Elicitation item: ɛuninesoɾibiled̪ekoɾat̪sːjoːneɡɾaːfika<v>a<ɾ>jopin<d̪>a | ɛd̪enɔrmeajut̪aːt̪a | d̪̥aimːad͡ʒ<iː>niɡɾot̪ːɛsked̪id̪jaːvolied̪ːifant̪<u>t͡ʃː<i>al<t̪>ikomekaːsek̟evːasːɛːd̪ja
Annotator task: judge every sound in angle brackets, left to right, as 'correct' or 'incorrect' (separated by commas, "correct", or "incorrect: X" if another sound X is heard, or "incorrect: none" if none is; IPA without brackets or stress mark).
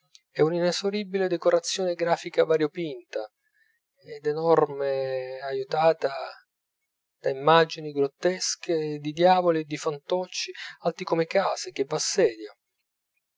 correct, correct, incorrect: t̪, incorrect: i, incorrect: ɔ, correct, correct